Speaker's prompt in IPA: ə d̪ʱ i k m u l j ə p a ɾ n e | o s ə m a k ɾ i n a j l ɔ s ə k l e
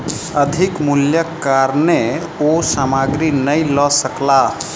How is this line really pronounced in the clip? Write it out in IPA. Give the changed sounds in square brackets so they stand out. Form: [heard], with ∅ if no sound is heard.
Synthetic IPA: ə d̪ʱ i k m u l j ə [k] a ɾ n e | o s [a] m a [ɡ] ɾ i n [ə] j l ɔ s ə k l [a]

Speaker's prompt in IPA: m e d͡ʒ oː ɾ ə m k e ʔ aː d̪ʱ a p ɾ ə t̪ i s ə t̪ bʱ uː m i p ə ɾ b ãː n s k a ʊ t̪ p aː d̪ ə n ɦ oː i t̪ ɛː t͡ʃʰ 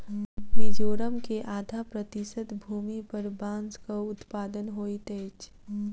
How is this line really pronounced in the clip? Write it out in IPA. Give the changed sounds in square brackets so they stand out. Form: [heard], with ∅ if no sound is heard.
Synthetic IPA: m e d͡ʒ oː ɾ ə m k e ʔ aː d̪ʱ a p ɾ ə t̪ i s ə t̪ bʱ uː m i p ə ɾ b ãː n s k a ʊ t̪ p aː d̪ ə n ɦ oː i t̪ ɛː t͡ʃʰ

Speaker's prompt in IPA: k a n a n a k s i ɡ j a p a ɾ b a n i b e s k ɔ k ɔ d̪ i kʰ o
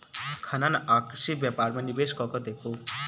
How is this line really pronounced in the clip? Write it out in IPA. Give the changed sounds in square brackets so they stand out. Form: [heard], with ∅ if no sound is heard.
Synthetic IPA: [kʰ] a n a n a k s i [b] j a p a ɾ [m] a n i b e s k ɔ k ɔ d̪ [e] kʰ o

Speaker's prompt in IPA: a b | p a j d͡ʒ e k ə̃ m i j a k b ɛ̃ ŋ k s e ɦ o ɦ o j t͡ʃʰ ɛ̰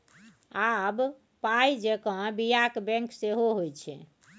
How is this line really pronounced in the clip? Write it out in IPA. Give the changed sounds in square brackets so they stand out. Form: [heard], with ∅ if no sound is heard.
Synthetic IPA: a b | p a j d͡ʒ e k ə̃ [b] i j a k b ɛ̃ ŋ k s e ɦ o ɦ o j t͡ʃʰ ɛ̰

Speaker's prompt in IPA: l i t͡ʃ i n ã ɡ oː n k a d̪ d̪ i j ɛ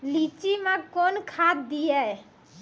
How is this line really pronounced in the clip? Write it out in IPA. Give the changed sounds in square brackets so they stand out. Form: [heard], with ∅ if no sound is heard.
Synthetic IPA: l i t͡ʃ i [m] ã [k] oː n [kʰ] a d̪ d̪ i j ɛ

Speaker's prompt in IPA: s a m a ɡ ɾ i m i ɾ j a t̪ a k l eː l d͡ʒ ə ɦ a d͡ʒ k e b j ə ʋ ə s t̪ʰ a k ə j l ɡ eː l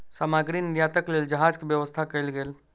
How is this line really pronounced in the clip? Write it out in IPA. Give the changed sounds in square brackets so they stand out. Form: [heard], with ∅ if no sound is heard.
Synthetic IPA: s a m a ɡ ɾ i [n] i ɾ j a t̪ [ə] k l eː l d͡ʒ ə ɦ a d͡ʒ k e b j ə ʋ ə s t̪ʰ a k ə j l ɡ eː l

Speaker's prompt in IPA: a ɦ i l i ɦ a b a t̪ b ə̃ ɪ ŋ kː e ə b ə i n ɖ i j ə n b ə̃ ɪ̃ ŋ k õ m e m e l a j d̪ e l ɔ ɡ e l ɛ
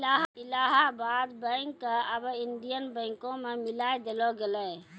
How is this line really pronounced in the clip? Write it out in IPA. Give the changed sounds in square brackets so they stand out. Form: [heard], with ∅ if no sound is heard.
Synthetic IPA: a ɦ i l [a] ɦ a b a [d̪] b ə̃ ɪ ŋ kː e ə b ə i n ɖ i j ə n b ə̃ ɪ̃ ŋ k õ m e m [i] l a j d̪ e l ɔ ɡ e l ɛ

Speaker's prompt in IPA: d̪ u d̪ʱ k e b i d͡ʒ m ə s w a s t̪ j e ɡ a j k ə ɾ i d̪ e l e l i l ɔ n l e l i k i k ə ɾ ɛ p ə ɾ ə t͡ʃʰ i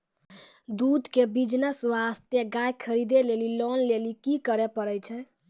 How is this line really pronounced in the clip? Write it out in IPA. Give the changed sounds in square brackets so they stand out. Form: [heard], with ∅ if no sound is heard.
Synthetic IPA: d̪ u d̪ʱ k e b i d͡ʒ [n] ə s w a s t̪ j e ɡ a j [kʰ] ə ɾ i d̪ e l e l i l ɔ n l e l i k i k ə ɾ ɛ p ə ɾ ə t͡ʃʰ [ɛ]

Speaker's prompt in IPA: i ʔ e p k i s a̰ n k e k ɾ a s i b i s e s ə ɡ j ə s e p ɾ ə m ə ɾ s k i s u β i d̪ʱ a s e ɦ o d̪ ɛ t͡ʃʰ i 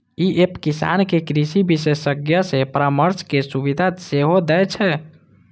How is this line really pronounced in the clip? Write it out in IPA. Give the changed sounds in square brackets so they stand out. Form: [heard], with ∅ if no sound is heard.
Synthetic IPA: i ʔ e p k i s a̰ n k e k ɾ [i] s i b i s e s ə ɡ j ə s e p ɾ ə m ə ɾ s k [e] s u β i d̪ʱ a s e ɦ o d̪ ɛ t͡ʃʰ [ɛ]

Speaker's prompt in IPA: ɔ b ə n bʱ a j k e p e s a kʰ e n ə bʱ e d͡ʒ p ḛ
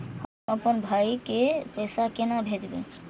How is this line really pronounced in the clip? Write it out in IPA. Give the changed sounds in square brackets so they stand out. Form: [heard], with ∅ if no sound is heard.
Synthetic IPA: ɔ [p] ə n bʱ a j k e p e s a [k] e n [a] bʱ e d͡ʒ [b] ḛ

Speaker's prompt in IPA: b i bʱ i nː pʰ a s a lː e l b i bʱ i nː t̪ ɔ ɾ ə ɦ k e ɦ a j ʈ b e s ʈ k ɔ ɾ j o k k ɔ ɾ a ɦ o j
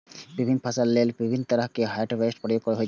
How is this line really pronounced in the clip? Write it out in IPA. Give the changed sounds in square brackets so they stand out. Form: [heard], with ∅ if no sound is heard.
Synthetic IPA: b i bʱ i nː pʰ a s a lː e l b i bʱ i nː t̪ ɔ ɾ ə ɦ k e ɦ a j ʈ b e s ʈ [p] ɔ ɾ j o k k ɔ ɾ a ɦ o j

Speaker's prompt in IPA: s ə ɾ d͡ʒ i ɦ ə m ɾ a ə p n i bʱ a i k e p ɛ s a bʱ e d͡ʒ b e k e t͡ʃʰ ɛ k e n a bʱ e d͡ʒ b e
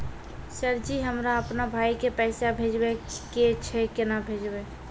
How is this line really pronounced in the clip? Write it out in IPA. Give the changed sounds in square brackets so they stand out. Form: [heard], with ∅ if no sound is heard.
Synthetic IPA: s ə ɾ d͡ʒ i ɦ ə m ɾ a ə p n [a] bʱ a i k e p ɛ s a bʱ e d͡ʒ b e k e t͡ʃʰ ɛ k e n a bʱ e d͡ʒ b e

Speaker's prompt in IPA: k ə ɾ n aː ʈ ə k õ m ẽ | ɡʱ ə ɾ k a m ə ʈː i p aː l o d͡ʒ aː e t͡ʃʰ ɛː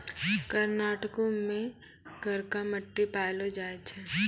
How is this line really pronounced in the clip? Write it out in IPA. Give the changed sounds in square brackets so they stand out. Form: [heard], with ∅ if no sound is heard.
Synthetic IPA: k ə ɾ n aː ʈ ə k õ m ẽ | ɡʱ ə ɾ k a m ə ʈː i p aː l o d͡ʒ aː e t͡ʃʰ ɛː

